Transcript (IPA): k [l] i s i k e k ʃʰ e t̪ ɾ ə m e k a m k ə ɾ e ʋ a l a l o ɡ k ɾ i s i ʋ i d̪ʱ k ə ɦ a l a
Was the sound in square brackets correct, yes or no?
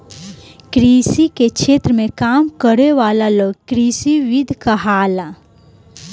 no